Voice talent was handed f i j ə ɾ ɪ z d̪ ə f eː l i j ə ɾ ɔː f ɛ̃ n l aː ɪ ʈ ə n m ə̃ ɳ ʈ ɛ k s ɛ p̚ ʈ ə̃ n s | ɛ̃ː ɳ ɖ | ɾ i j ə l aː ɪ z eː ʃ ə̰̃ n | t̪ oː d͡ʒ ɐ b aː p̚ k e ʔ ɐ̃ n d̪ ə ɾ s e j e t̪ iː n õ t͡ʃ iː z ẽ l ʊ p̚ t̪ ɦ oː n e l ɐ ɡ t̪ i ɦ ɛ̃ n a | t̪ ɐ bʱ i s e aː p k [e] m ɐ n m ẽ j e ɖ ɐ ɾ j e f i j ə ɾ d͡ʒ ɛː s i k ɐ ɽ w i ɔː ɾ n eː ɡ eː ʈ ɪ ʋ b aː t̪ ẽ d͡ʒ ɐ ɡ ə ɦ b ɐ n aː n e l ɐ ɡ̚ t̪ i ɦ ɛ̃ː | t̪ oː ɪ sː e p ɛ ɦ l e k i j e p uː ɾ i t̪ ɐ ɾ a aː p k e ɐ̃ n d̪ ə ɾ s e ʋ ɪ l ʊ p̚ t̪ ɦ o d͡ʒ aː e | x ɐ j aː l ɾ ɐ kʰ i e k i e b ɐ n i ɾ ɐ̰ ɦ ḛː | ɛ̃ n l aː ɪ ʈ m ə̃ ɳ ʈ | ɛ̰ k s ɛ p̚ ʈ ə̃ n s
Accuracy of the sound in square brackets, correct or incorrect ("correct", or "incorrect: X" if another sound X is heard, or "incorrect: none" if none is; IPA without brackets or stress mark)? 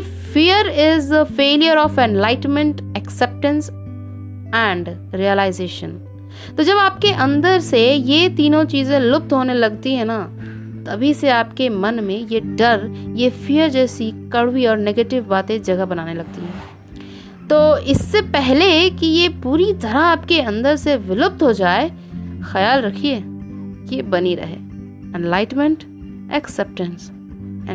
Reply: correct